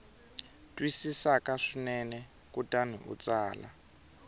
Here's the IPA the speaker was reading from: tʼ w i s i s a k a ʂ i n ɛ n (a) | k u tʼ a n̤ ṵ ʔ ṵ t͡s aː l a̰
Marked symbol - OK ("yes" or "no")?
no